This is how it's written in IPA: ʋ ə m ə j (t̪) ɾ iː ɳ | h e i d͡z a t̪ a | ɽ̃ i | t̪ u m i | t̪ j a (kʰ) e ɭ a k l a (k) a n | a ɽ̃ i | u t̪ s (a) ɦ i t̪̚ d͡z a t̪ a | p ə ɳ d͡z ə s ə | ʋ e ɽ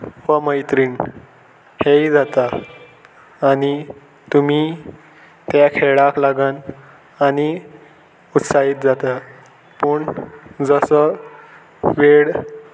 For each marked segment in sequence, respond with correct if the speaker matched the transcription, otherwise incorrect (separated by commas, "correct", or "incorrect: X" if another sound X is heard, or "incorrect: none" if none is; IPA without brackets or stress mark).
correct, correct, incorrect: ɡ, correct